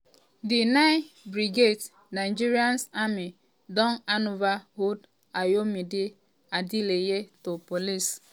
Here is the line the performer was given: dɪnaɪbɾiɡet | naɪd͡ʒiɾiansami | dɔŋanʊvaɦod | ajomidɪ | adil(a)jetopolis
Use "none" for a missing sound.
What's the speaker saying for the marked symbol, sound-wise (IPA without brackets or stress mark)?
e